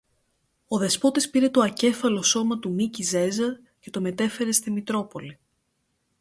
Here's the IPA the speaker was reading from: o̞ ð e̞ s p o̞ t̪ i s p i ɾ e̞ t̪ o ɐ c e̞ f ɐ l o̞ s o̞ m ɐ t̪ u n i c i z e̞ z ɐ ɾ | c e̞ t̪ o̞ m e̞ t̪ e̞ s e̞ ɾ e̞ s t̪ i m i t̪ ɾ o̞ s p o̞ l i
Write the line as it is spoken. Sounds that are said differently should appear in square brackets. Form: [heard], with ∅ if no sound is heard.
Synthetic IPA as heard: o̞ ð e̞ s p o̞ t̪ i s p i ɾ e̞ t̪ o ɐ c e̞ f ɐ l o̞ s o̞ m ɐ t̪ u [m] i c i z e̞ z ɐ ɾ | c e̞ t̪ o̞ m e̞ t̪ e̞ [f] e̞ ɾ e̞ s t̪ i m i t̪ ɾ o̞ [∅] p o̞ l i